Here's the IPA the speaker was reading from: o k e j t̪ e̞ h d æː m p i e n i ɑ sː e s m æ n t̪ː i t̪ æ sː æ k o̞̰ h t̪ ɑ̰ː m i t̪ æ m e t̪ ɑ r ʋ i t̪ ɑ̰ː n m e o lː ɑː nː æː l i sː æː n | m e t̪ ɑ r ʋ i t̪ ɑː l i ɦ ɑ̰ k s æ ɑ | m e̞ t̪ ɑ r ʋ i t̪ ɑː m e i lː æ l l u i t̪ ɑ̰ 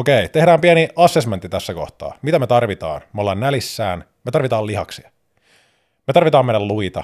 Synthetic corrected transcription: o k e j t̪ e̞ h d æː m p i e n i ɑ sː e s m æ n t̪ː i t̪ æ sː æ k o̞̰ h t̪ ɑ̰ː m i t̪ æ m e t̪ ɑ r ʋ i t̪ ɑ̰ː n m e o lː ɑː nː æ l i sː æː n | m e t̪ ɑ r ʋ i t̪ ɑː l i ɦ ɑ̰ k s i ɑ | m e̞ t̪ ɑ r ʋ i t̪ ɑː m e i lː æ l l u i t̪ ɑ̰